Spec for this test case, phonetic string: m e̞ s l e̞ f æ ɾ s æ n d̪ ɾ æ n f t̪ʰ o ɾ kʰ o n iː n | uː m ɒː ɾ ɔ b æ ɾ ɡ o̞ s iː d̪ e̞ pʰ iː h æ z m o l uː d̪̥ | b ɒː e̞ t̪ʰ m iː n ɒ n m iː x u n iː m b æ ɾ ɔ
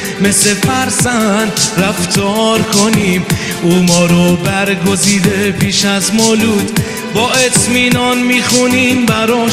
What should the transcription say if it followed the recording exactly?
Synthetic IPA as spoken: m e̞ s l e̞ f æ ɾ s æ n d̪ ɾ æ f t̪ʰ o ɾ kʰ o n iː m | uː m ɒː ɾ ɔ b æ ɾ ɡ o̞ z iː d̪ e̞ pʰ iː ʃ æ z m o l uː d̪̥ | b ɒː e̞ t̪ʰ m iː n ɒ n m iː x u n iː m b æ ɾ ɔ